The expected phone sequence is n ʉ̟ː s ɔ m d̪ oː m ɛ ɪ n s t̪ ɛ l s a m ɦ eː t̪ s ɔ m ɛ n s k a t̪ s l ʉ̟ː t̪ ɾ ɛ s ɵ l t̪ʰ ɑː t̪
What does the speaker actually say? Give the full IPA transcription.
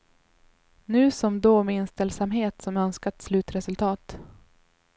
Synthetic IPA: n ʉ̟ː s ɔ m d̪ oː m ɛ ɪ n s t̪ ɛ l s a m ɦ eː t̪ s ɔ m œ n s k a t̪ s l ʉ̟ː t̪ ɾ ɛ s ɵ l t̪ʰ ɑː t̪

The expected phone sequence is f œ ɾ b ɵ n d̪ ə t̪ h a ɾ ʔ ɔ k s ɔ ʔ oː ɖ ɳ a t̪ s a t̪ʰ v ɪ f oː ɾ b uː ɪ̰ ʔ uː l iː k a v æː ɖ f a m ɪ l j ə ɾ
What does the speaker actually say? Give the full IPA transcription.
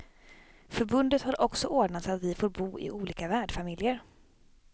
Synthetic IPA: f œ ɾ b ɵ n d̪ ə t̪ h a ɾ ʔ ɔ k s ɔ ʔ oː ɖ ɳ a t̪ s a t̪ v ɪ f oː ɾ b uː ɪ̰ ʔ uː l iː k a v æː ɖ f a m ɪ l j ə ɾ

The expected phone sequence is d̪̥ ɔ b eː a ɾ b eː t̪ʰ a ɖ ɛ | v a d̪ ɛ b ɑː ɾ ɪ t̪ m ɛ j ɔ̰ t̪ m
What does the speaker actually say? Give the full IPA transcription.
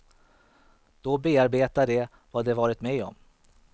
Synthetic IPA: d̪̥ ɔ b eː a ɾ b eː t̪ a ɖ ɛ | v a d̪ ɛ v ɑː ɾ ɪ t̪ m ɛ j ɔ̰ m

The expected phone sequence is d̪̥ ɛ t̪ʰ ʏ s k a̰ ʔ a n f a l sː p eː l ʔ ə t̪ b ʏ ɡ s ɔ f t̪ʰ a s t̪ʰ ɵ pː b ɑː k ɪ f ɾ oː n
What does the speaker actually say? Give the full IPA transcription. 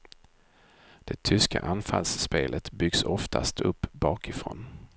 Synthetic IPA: d̪̥ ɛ t̪ʰ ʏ s k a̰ ʔ a n f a l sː p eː l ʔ ə t̪ b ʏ ɡ s ɔ f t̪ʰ a s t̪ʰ ɵ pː b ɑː k ɪ f ɾ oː n

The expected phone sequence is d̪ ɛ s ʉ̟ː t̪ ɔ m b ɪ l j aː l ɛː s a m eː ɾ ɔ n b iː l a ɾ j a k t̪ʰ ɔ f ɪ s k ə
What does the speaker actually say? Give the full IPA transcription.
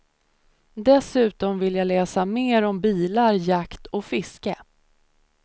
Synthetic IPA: d̪ ɛ s ʉ̟ː t̪ ɔ m v ɪ l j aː l ɛː s a m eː ɾ ɔ m b iː l a ɾ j a k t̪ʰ ɔ f ɪ s k ə

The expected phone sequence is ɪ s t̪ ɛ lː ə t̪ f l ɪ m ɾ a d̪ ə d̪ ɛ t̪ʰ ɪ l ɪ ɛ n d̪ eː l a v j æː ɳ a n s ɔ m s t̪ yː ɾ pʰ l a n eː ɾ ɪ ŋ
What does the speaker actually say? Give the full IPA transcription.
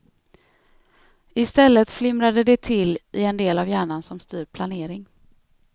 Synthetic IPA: ɪ s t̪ ɛ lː ə t̪ f l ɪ m ɾ a d̪ ə d̪ ɛ t̪ʰ ɪ l ɪ ɛ n d̪ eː l a v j æː ɳ a n s ɔ m s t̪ yː ɾ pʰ l a n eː ɾ ɪ ŋ

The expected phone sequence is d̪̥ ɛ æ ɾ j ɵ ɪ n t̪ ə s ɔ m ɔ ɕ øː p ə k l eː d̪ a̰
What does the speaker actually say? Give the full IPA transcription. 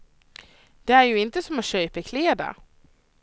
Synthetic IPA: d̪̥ ɛ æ ɾ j ɵ ɪ n t̪ ə s ɔ m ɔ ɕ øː p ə kʰ l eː d̪ a̰

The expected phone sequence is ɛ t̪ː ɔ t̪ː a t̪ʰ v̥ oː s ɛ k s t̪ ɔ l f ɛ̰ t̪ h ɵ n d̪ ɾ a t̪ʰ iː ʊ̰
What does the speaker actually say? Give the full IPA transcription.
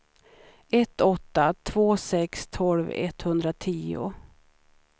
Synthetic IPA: ɛ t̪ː ɔ t̪ː a t̪ʰ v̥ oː s ɛ k s t̪ʰ ɔ l v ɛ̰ t̪ h ɵ n d̪ ɾ a t̪ʰ iː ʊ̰

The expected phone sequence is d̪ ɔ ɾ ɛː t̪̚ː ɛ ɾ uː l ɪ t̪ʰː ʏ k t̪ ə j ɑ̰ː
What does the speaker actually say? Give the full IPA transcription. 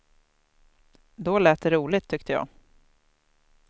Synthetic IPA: d̪ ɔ l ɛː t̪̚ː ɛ ɾ uː l ɪ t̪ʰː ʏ k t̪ ə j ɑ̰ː

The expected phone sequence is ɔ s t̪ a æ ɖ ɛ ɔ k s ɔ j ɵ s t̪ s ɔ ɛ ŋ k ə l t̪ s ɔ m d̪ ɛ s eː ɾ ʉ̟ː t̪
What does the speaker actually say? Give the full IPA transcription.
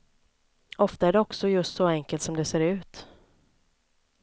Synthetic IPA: ɔ f t̪ a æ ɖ ɛ ɔ k s ɔ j ɵ s t̪ s ɔ ɛ ŋ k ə l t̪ s ɔ m d̪ ɛ s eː ɾ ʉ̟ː t̪

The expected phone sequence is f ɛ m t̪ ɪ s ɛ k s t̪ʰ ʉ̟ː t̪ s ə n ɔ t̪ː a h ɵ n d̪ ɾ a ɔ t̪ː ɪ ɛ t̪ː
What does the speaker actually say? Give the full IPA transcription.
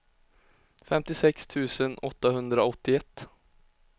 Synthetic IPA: f ɛ m t̪ ɪ s ɛ k s t̪ʰ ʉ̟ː s ə n ɔ t̪ː a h ɵ n d̪ ɾ a ɔ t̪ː ɪ ɛ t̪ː

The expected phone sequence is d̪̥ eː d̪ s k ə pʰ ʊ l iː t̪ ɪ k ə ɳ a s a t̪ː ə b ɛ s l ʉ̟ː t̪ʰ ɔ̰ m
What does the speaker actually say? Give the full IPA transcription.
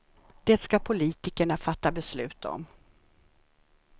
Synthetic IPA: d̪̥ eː t̪ s k a pʰ ʊ l iː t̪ ɪ k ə ɳ a f a t̪ː a b ɛ s l ʉ̟ː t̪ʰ ɔ̰ m

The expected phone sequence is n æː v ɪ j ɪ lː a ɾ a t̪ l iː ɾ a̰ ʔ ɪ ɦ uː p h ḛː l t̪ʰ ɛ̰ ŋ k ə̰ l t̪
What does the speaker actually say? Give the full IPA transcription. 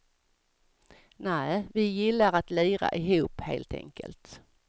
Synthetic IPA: n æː v ɪ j ɪ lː a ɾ a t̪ l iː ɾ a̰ ʔ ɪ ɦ uː p h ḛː l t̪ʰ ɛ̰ ŋ k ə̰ l t̪

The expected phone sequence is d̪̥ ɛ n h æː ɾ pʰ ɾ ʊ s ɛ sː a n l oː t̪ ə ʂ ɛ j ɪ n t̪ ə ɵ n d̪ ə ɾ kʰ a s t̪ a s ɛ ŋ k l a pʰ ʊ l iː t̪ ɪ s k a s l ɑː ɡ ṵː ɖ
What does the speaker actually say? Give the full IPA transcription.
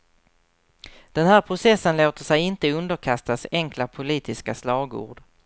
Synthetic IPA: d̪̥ ɛ n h æː ɾ pʰ ɾ ʊ s ɛ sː ə n l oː t̪ ə ʂ ɛ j ɪ n t̪ ə ɵ n d̪ ə ɾ kʰ a s t̪ a s ɛ ŋ k l a pʰ ʊ l iː t̪ ɪ s k a s l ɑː ɡ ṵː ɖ

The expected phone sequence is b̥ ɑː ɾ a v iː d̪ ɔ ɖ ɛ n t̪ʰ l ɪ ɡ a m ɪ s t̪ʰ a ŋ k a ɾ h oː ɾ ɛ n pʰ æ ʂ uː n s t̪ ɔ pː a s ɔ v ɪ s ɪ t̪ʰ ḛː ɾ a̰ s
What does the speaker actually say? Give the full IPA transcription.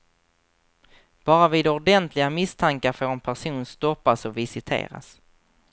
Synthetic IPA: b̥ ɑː ɾ a v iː d̪ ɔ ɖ ɛ n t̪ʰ l ɪ ɡ a m ɪ s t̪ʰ a ŋ k a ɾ f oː ɾ ɛ n pʰ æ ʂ uː n s t̪ ɔ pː a s ɔ v ɪ s ɪ t̪ʰ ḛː ɾ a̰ s

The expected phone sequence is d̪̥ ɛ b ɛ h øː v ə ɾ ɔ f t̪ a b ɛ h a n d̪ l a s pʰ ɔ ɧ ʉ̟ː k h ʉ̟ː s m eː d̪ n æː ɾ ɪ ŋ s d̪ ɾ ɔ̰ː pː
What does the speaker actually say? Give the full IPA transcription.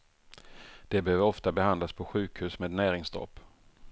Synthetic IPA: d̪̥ ɛ b ɛ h øː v ə ɾ ɔ f t̪ a b ɛ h a n d̪ l a s pʰ ɔ ɧ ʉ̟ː k h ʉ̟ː s m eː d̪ n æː ɾ ɪ ŋ s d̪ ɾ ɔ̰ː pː

